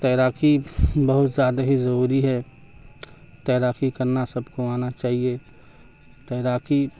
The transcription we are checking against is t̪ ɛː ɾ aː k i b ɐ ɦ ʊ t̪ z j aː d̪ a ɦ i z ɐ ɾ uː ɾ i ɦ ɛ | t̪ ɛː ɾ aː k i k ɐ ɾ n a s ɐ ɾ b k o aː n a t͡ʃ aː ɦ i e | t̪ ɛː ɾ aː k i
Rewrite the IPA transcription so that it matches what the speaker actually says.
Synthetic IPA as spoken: t̪ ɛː ɾ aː k i b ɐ ɦ ʊ t̪ z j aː d̪ a ɦ i z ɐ ɾ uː ɾ i ɦ ɛ | t̪ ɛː ɾ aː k i k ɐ ɾ n a s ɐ b k o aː n a t͡ʃ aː ɦ i e | t̪ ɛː ɾ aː k i